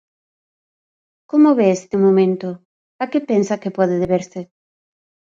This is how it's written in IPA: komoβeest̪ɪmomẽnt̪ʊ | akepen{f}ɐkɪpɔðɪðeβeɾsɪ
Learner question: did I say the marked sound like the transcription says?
no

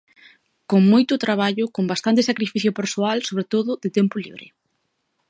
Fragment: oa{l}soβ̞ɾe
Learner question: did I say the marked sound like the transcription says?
yes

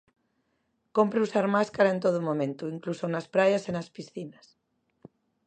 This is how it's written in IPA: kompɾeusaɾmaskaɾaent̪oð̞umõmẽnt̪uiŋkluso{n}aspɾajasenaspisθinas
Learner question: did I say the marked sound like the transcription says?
yes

